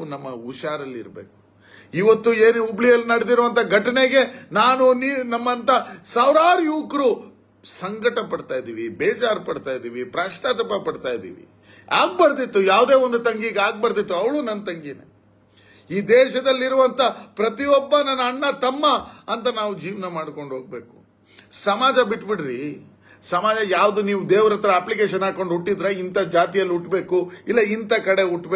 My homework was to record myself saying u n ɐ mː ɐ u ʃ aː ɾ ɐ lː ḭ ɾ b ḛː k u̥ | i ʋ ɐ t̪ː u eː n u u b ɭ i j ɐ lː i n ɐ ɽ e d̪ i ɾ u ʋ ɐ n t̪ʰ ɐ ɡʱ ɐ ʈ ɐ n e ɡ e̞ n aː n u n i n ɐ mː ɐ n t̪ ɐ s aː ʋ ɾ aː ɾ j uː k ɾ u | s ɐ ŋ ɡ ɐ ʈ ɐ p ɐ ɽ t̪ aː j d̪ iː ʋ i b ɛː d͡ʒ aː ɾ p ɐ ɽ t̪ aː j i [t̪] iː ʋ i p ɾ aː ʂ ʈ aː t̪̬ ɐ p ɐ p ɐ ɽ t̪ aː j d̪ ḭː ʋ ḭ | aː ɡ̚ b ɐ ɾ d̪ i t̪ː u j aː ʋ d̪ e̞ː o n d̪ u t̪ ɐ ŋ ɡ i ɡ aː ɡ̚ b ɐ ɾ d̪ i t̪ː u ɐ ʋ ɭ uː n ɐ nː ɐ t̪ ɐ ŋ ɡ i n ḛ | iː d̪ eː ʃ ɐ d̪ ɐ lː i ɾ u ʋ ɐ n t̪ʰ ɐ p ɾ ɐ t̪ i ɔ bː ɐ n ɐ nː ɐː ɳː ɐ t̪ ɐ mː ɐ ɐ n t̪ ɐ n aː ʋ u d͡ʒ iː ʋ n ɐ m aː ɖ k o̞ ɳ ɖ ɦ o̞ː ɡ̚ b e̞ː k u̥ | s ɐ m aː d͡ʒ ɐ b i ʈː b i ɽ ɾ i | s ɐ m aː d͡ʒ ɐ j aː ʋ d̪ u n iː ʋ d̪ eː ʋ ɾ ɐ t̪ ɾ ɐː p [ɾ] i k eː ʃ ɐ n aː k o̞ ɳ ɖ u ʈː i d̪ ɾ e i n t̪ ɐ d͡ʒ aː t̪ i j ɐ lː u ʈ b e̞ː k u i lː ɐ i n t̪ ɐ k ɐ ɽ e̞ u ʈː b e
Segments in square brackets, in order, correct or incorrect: incorrect: d̪, incorrect: l

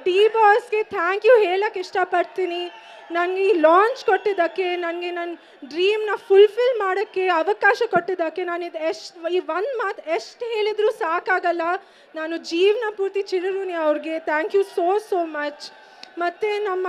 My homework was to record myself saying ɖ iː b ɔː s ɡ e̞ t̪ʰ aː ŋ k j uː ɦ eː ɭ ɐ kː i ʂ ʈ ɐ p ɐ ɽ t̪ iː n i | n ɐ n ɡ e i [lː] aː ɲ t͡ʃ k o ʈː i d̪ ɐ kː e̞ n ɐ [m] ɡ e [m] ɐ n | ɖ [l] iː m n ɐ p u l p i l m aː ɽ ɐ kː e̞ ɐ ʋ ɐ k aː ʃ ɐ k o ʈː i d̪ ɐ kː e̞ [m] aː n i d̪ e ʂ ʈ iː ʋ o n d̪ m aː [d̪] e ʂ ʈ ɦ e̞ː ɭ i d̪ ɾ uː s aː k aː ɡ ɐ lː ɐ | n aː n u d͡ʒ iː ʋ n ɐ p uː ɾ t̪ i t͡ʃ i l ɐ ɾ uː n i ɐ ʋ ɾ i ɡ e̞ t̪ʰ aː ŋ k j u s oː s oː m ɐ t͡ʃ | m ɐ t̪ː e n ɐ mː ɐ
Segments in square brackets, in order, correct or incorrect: incorrect: l, incorrect: n, incorrect: n, incorrect: ɾ, incorrect: n, incorrect: t̪

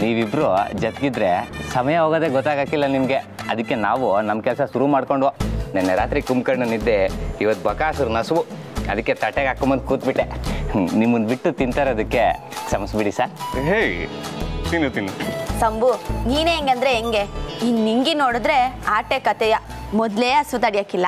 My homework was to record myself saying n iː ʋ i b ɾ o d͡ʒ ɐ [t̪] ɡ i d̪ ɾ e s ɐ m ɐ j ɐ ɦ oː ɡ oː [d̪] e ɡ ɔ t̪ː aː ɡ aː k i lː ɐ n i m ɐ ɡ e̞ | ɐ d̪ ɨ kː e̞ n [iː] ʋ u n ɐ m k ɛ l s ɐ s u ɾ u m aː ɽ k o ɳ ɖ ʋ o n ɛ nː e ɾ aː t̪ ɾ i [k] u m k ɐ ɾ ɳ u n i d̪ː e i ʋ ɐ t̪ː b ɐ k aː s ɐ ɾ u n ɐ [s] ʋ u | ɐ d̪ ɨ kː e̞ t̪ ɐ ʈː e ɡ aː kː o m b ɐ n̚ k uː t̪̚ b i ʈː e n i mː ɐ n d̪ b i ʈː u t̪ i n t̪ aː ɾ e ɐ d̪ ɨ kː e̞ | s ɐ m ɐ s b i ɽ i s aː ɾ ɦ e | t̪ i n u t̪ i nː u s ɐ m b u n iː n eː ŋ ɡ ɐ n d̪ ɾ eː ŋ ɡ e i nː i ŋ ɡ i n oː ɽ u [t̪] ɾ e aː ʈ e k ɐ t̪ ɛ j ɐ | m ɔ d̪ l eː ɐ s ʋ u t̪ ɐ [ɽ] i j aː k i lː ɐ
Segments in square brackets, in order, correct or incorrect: correct, correct, incorrect: aː, correct, correct, incorrect: d̪, correct

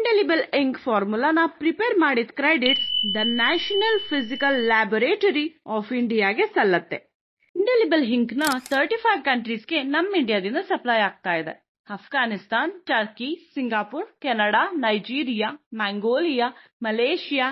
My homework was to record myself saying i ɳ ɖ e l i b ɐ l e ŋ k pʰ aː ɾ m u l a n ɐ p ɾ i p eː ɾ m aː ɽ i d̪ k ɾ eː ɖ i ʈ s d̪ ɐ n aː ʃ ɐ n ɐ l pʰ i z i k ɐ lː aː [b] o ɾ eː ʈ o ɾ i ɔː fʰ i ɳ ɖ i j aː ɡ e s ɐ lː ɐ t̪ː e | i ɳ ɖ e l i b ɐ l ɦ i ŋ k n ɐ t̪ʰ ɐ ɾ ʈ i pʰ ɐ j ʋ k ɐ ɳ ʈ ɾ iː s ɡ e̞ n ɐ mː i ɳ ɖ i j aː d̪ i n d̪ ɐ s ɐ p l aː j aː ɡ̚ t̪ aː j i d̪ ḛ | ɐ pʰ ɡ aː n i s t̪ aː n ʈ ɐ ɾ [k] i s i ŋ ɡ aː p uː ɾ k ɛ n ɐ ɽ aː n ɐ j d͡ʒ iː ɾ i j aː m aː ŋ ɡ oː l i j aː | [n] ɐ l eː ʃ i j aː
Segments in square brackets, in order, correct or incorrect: correct, correct, incorrect: m

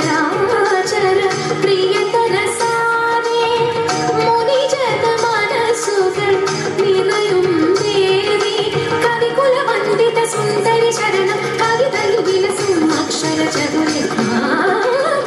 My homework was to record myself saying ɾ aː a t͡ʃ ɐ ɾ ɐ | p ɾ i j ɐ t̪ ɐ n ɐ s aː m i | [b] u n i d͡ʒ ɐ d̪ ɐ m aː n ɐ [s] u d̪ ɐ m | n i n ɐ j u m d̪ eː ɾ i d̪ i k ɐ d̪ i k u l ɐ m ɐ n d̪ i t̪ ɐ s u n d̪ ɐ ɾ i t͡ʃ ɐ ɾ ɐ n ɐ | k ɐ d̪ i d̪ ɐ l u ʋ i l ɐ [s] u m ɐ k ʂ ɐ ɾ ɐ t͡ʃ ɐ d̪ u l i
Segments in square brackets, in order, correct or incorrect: incorrect: m, correct, correct

